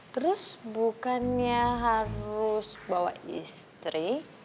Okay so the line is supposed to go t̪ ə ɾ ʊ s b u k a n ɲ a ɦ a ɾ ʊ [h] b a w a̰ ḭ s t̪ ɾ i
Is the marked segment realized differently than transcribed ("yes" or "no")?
yes